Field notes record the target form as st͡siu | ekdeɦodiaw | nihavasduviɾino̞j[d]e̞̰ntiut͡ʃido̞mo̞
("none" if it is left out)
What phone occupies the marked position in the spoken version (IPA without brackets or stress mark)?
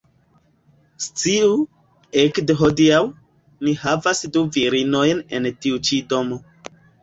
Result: n